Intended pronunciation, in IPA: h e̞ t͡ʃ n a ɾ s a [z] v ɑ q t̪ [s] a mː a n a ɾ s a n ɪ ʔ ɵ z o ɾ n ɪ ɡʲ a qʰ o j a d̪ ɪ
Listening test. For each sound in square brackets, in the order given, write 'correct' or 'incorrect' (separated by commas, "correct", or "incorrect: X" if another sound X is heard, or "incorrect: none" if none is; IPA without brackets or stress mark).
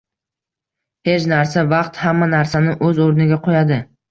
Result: incorrect: none, incorrect: h